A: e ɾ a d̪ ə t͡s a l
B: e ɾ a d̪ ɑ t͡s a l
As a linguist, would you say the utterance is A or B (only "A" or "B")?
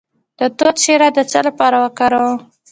A